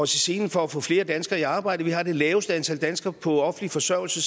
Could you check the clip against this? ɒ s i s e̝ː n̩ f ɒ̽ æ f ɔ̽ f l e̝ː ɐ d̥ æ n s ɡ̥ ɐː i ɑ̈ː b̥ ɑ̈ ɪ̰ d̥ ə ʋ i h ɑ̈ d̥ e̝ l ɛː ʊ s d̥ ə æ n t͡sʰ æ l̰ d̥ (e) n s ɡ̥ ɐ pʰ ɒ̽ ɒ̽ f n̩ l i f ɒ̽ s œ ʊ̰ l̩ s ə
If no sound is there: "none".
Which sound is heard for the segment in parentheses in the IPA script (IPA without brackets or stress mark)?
æ